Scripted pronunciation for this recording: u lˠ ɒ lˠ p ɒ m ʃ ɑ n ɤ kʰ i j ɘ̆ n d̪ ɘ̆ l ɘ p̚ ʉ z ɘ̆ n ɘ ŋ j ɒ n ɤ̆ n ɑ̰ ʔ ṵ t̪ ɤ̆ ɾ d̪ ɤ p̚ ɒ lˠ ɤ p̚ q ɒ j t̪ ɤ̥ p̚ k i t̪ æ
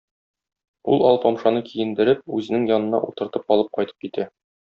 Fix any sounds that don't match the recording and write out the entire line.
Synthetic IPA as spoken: u lˠ ɒ lˠ p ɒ m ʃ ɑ n ɤ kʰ i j ɘ̆ n d̪ ɘ̆ ɾ ɘ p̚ ʉ z ɘ̆ n ɘ ŋ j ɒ n ɤ̆ n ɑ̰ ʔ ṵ t̪ ɤ̆ ɾ t̪ ɤ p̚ ɒ lˠ ɤ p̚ q ɒ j t̪ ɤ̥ p̚ k i t̪ æ